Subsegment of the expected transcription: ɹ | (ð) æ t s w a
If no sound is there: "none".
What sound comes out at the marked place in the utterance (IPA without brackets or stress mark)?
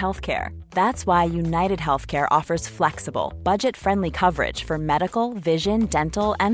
ð